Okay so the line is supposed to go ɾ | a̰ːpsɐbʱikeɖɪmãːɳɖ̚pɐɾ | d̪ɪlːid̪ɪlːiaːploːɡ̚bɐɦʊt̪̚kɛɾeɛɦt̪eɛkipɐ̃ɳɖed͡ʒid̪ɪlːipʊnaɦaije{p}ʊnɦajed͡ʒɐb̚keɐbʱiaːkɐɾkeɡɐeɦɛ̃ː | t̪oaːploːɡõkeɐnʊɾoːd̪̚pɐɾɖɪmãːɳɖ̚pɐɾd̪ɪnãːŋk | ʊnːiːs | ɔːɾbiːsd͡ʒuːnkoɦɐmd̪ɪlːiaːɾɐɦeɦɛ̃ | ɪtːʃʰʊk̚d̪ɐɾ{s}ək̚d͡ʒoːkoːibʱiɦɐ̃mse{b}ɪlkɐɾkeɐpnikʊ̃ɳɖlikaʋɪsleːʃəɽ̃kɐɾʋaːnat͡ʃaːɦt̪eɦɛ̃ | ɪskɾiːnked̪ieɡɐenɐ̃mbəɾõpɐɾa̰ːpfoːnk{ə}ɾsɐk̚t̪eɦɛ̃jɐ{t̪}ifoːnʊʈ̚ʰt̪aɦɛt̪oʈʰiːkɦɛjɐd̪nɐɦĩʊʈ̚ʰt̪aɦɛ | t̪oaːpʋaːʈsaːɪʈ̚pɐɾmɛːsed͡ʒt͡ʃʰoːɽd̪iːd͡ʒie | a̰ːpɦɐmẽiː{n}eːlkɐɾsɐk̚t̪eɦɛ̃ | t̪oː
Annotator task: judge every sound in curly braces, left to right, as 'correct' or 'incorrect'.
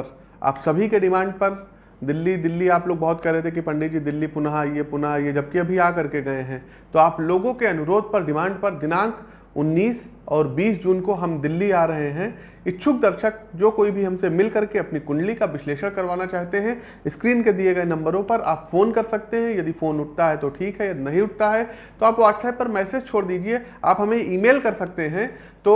correct, incorrect, incorrect, incorrect, incorrect, incorrect

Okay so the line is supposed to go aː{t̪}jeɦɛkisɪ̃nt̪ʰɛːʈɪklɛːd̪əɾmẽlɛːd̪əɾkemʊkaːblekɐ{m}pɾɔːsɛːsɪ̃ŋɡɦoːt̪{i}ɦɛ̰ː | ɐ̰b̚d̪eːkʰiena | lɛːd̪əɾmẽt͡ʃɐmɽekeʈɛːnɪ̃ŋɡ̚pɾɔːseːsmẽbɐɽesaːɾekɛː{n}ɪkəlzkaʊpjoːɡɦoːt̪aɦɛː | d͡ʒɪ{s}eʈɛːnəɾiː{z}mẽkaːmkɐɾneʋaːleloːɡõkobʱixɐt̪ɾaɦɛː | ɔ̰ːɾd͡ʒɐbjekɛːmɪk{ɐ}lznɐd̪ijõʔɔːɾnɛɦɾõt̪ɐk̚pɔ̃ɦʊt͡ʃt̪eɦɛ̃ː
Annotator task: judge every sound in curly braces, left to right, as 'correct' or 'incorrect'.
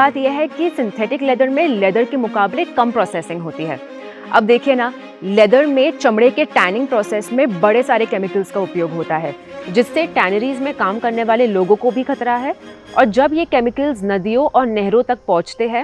correct, correct, correct, incorrect, incorrect, correct, incorrect

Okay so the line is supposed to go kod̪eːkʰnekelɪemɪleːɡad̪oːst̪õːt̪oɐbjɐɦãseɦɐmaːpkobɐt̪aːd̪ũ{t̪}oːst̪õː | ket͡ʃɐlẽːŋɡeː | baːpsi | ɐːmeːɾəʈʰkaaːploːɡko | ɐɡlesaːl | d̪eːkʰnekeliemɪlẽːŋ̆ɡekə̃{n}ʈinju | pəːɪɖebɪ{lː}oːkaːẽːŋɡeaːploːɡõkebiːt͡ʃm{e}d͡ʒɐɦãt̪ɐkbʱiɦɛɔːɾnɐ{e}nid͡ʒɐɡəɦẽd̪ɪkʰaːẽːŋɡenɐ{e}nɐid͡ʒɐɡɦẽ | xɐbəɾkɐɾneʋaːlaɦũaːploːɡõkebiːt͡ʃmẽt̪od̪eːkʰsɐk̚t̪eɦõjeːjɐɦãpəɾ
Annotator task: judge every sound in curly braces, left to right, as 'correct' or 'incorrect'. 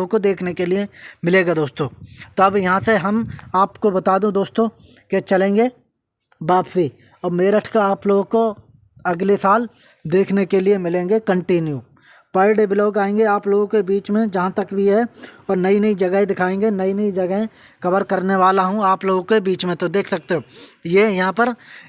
incorrect, incorrect, incorrect, incorrect, incorrect, incorrect

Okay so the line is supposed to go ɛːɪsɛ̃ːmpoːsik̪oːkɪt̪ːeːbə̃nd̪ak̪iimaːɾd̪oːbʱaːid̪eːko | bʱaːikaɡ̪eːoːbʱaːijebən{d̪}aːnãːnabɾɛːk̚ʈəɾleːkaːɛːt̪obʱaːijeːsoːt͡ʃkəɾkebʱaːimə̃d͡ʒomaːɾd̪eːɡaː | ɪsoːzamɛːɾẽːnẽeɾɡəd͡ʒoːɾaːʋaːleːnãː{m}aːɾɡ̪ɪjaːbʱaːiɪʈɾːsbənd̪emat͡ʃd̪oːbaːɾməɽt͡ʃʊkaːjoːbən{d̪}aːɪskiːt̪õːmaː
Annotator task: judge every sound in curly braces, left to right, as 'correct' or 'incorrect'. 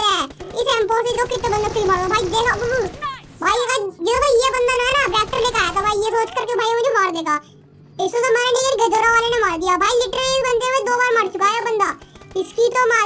correct, correct, correct

